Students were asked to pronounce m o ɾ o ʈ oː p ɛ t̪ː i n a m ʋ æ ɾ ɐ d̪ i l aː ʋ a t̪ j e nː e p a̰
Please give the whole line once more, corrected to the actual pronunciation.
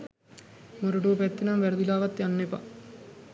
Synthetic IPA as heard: m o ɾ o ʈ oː p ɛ t̪ː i n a m ʋ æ ɾ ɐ d̪ i l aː ʋ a t̪ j a nː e p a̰